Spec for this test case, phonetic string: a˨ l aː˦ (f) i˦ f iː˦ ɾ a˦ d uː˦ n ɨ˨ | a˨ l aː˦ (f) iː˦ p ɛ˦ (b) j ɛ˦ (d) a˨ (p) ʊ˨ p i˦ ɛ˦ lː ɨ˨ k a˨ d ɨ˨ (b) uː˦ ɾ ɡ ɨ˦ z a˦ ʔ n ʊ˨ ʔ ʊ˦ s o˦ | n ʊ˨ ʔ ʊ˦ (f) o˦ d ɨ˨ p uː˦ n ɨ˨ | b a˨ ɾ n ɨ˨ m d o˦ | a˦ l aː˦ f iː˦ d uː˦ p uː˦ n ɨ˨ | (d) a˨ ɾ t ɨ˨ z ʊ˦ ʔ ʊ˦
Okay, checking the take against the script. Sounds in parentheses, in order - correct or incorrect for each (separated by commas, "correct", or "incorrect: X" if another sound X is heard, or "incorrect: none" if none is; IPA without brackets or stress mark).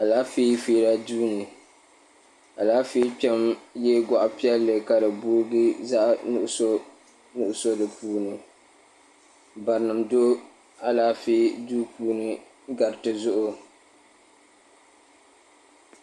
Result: correct, correct, incorrect: m, incorrect: ɡ, incorrect: ʔ, correct, incorrect: s, incorrect: ɡ